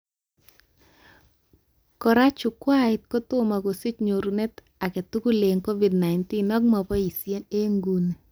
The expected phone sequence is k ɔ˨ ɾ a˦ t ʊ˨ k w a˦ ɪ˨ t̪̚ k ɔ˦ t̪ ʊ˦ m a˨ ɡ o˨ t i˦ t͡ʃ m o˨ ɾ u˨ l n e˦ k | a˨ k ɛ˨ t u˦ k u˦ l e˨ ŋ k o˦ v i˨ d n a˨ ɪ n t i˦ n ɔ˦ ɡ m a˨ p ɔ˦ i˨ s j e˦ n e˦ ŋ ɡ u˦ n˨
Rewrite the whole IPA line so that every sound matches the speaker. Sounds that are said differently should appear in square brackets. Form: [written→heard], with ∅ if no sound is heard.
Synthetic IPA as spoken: k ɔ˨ ɾ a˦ [t→t͡ʃ] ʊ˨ k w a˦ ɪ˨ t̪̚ k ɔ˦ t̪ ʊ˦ m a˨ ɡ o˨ [t→s] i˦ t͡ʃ [m→ɲ] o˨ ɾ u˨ [l→∅] n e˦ [k→t] | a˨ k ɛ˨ t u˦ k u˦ l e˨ ŋ k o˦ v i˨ d n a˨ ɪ n t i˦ n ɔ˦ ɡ m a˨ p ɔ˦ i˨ s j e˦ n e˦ ŋ ɡ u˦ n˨